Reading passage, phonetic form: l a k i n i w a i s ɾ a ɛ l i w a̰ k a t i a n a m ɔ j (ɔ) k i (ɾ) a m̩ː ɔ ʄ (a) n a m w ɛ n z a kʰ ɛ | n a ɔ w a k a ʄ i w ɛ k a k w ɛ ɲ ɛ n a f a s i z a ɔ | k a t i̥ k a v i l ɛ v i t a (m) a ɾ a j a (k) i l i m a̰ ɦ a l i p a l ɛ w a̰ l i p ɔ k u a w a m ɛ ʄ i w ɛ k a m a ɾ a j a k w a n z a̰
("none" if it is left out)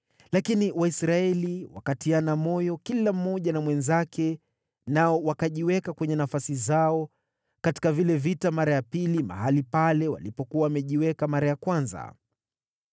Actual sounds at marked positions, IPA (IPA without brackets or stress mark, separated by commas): ɔ, l, a, m, p